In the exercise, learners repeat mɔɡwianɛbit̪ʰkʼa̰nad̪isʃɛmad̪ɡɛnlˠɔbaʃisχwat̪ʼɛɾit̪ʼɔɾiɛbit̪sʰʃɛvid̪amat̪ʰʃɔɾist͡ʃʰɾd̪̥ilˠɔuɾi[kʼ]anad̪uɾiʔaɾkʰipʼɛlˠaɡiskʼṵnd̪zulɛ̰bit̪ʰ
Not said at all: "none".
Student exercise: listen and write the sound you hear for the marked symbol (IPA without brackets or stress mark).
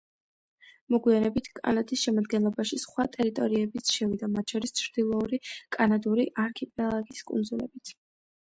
kʼ